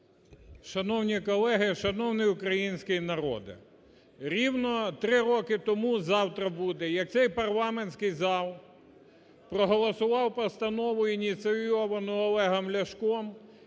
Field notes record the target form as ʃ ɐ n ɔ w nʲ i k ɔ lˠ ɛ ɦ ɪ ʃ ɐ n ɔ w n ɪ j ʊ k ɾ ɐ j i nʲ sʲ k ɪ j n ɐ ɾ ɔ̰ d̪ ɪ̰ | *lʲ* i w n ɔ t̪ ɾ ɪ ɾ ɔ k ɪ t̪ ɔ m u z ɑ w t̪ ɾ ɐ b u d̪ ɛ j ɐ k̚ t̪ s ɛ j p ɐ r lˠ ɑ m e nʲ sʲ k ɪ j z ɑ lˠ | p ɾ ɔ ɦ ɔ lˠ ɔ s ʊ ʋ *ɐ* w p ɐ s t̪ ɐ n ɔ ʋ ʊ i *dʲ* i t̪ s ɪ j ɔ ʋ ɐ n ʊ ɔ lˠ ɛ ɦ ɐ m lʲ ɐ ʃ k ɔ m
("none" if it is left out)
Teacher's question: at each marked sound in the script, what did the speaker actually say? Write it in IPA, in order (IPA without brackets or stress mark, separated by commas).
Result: ɾʲ, ɑ, nʲ